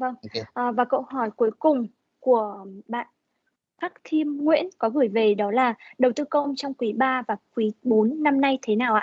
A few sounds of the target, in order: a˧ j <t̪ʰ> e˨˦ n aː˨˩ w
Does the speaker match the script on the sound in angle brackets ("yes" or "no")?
yes